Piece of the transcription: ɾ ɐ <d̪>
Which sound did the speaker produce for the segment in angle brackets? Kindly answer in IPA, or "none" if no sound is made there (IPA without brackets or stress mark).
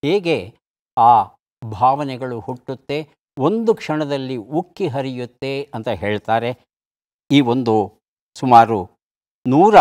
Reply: none